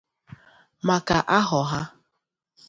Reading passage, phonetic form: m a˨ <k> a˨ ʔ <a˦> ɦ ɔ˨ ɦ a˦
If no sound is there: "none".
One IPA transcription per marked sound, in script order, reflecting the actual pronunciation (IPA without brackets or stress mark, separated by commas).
k, a˦